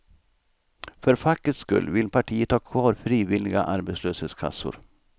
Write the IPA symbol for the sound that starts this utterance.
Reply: f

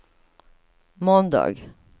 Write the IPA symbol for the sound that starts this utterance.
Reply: m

